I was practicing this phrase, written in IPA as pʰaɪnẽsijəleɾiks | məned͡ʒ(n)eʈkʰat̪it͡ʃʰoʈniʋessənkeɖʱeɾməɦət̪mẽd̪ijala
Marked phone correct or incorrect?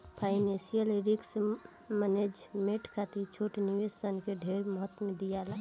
incorrect